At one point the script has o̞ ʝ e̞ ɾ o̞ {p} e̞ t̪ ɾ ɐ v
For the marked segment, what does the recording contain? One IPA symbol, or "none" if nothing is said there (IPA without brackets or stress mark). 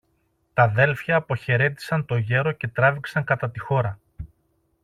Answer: c